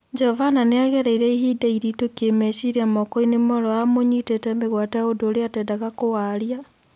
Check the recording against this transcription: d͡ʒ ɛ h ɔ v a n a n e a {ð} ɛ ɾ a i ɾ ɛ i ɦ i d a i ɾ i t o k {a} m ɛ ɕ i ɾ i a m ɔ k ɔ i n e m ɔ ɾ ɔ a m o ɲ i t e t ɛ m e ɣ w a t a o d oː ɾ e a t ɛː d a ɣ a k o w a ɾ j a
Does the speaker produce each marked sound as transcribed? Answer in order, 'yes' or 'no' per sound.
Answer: no, no

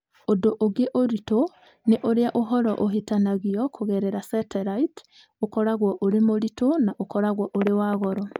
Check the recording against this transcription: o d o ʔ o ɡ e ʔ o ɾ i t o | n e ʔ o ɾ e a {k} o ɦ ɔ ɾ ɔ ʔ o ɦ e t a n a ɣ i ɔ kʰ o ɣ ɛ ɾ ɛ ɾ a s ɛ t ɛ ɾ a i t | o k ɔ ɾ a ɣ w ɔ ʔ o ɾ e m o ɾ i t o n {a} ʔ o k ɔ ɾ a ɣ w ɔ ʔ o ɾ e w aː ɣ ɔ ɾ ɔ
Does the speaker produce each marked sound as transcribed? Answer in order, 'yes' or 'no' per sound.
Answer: no, yes

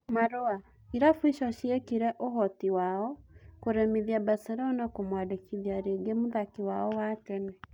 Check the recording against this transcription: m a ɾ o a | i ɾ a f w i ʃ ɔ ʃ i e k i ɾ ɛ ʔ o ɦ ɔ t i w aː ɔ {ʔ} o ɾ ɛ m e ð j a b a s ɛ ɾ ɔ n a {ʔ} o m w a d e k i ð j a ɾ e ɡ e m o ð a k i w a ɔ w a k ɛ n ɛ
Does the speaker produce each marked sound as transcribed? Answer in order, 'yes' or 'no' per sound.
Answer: no, no

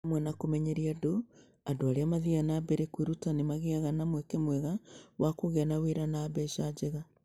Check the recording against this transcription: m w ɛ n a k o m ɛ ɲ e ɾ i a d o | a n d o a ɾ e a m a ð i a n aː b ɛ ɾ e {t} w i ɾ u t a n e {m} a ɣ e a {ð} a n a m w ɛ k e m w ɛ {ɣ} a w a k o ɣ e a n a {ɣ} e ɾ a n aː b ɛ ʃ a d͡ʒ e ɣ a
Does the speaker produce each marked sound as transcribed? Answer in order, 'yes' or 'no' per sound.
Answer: no, yes, no, yes, no

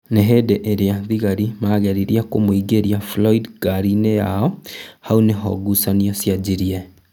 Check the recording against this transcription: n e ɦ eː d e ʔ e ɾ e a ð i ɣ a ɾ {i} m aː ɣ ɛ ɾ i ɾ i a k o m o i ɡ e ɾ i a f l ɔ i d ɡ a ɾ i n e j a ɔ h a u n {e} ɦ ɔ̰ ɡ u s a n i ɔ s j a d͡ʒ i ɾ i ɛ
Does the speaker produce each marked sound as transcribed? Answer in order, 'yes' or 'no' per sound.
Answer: yes, yes

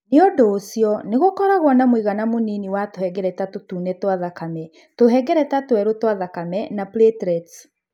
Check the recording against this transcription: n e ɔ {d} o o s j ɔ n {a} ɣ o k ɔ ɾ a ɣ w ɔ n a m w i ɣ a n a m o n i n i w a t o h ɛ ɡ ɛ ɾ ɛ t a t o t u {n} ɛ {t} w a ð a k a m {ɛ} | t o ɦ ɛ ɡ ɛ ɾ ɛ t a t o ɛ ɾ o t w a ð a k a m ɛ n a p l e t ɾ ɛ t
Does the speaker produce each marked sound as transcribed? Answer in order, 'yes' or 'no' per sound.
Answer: yes, no, yes, yes, yes

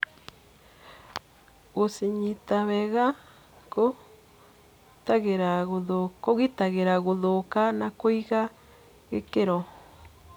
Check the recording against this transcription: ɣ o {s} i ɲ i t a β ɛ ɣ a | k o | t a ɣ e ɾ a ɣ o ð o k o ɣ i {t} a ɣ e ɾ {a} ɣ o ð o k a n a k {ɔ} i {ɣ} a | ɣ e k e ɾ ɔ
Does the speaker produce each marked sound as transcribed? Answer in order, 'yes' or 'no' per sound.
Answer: yes, yes, yes, no, yes

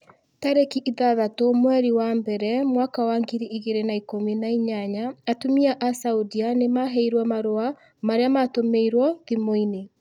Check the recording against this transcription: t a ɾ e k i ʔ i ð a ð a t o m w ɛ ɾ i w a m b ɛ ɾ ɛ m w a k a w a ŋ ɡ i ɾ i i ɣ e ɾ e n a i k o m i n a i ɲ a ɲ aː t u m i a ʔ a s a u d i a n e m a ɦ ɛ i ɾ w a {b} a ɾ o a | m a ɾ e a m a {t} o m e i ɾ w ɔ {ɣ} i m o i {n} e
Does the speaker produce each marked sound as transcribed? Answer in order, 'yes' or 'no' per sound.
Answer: no, yes, no, yes

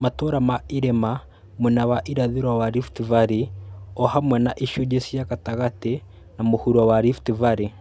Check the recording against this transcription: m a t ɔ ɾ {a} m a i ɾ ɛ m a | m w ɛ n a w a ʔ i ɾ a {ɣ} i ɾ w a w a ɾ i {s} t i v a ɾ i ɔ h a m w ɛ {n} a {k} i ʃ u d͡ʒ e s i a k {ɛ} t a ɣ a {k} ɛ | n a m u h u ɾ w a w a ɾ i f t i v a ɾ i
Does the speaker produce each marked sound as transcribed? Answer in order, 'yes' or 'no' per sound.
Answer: yes, no, no, yes, no, no, no

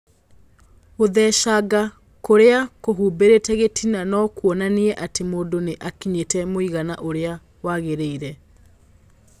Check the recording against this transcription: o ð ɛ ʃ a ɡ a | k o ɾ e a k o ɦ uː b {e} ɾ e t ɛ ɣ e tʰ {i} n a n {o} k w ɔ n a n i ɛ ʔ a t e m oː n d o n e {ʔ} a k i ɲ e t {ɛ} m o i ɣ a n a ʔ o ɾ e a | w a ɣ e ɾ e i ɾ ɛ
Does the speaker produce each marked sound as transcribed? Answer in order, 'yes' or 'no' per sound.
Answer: yes, yes, no, yes, yes

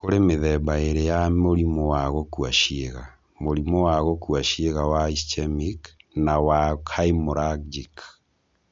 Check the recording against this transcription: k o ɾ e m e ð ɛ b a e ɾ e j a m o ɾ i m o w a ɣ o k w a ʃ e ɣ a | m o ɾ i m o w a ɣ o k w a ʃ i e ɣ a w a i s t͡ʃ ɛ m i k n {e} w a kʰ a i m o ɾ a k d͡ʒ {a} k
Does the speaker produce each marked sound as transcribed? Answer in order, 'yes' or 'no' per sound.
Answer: no, no

